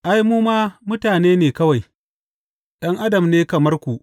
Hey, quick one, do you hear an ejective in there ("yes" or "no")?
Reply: no